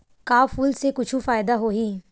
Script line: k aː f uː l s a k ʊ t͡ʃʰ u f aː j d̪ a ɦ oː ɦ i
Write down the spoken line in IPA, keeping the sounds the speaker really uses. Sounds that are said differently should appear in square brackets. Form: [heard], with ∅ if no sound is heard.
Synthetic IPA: k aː f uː l s [e] k ʊ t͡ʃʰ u f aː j d̪ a ɦ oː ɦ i